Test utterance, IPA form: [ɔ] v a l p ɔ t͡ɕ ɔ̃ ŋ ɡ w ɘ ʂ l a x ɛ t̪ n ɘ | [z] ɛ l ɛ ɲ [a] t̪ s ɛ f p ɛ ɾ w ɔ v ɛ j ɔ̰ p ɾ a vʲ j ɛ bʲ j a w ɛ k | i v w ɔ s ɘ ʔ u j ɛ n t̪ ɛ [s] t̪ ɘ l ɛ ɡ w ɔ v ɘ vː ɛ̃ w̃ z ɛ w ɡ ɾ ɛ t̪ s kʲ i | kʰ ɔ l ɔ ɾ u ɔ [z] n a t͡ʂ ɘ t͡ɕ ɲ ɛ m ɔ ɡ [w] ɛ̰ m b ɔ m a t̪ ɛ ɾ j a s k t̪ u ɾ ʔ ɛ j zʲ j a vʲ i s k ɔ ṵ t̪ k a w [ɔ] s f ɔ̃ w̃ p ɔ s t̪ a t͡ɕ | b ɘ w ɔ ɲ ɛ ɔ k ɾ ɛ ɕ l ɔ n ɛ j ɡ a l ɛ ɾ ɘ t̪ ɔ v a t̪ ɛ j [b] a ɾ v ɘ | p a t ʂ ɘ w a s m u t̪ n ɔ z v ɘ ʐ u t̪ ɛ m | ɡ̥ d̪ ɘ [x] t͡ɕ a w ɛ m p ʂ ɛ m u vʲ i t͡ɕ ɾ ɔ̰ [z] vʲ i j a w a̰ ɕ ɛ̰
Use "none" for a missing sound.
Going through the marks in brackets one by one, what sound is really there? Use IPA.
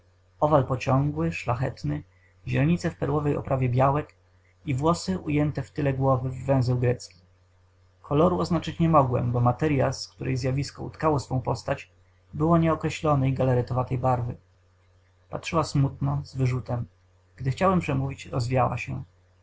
ɔ, ʑ, i, f, z, w, ɔ, b, x, z

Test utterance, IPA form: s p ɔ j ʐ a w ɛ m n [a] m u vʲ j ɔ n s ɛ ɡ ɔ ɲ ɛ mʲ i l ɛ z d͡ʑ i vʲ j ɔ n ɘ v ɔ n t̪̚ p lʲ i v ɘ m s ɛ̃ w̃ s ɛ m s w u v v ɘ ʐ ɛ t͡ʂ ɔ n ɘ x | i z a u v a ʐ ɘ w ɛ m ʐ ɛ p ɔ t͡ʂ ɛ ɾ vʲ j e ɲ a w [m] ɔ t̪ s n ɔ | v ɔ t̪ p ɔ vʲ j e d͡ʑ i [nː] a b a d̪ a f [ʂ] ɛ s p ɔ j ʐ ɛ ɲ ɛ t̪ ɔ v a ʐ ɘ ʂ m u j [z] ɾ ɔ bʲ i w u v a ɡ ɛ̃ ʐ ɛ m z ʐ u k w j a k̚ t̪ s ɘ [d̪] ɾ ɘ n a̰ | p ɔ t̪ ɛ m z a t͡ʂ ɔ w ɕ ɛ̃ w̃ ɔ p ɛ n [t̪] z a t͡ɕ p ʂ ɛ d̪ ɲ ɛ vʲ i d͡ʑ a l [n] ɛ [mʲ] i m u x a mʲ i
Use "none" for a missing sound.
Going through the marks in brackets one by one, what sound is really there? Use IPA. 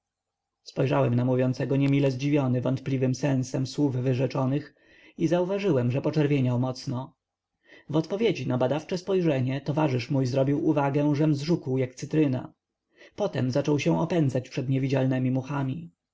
a, m, n, t͡ʂ, z, t̪, d̪, n, mʲ

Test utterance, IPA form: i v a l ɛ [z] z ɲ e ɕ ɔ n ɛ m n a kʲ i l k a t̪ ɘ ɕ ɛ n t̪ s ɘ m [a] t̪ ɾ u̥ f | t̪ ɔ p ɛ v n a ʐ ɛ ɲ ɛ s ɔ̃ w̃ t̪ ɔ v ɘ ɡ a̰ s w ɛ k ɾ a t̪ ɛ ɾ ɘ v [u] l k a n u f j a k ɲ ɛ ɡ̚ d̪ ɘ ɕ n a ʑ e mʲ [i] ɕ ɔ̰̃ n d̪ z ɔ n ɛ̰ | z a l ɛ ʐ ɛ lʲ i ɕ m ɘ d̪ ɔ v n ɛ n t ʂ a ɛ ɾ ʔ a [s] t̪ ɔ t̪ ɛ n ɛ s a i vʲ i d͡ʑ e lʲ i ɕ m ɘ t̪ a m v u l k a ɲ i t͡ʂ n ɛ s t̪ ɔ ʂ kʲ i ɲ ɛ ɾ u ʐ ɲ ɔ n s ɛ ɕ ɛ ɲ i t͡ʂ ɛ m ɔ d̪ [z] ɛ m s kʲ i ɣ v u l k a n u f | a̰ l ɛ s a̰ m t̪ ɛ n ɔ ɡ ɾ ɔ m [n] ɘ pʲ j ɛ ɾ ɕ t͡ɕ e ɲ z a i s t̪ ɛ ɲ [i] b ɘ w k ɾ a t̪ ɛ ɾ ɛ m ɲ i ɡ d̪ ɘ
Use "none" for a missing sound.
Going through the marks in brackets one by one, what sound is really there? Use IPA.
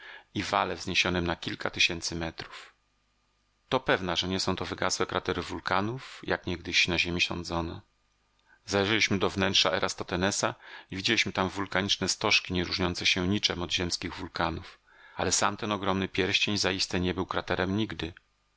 v, ɛ, u, i, s, ʑ, n, ɛ

